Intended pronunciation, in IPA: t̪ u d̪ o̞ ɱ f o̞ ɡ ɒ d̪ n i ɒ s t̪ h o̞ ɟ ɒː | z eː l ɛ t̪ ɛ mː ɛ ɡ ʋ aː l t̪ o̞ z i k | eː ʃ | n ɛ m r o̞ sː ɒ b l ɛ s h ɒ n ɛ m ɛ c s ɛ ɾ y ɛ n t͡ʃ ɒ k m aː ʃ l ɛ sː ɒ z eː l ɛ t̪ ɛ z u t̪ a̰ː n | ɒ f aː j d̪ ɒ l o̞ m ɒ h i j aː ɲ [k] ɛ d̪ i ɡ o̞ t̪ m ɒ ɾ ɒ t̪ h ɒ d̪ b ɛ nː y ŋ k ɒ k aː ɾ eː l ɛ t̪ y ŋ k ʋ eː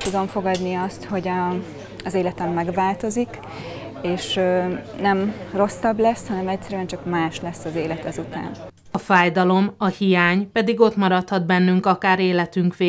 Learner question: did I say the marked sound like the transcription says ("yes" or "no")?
no